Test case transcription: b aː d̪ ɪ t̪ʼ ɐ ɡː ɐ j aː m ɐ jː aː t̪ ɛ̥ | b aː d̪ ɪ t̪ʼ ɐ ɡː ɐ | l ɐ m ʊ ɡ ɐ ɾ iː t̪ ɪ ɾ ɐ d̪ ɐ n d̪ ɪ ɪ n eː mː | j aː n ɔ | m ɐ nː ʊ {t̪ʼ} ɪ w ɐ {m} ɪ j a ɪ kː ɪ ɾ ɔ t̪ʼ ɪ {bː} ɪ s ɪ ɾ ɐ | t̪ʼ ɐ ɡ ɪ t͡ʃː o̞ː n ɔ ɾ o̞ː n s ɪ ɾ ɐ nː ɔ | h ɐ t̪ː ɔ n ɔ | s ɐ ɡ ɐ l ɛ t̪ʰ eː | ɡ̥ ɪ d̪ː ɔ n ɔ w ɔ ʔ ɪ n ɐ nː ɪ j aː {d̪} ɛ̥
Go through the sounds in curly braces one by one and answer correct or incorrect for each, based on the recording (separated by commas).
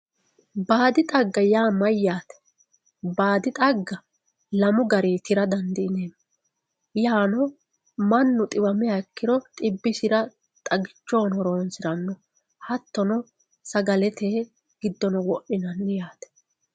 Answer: correct, correct, correct, incorrect